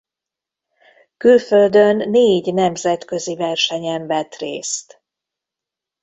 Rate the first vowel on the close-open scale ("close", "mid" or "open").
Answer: close